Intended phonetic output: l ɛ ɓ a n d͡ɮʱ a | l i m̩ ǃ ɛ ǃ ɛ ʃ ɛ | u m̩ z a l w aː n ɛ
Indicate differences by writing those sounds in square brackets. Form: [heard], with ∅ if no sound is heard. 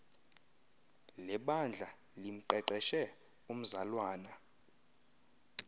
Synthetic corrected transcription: l ɛ ɓ a n d͡ɮʱ a | l i m̩ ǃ ɛ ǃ ɛ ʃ ɛ | u m̩ z a l w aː n [a]